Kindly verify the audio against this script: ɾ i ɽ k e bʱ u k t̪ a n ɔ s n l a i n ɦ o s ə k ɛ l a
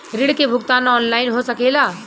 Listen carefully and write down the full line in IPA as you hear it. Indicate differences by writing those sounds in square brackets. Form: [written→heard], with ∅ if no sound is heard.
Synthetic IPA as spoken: ɾ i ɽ k e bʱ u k t̪ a n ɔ [s→∅] n l a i n ɦ o s ə k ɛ l a